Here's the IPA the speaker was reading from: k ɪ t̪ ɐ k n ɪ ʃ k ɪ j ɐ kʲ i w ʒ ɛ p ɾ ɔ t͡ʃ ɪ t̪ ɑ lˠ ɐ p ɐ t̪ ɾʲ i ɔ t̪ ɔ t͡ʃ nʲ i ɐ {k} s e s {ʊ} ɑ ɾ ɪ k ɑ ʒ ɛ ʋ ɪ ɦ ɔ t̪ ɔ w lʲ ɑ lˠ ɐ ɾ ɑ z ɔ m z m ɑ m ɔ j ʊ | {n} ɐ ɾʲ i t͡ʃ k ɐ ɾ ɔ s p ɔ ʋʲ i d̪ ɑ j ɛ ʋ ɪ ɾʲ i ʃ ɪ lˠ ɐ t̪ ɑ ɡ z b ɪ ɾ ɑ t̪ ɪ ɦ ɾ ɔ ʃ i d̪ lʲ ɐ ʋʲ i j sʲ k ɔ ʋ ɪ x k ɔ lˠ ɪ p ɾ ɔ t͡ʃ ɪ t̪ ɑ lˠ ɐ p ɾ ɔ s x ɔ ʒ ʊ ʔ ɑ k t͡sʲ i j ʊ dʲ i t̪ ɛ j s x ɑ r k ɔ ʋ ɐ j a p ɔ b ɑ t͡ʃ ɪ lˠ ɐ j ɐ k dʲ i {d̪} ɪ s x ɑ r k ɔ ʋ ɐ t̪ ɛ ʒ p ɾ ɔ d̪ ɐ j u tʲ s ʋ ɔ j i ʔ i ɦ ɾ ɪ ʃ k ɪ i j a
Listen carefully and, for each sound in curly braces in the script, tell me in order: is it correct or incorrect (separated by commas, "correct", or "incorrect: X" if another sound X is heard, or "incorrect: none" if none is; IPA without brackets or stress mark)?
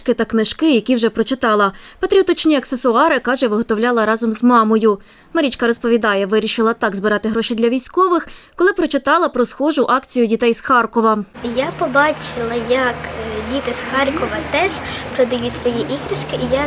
correct, correct, incorrect: m, incorrect: t̪